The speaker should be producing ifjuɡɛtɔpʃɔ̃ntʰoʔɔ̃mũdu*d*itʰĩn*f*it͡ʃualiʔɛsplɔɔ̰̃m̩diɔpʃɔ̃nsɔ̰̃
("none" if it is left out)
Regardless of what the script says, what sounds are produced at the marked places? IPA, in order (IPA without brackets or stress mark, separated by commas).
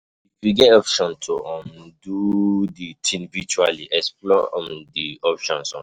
d, v